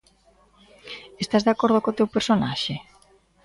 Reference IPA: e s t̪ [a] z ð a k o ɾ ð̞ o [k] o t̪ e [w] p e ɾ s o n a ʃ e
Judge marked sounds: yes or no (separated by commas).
yes, yes, yes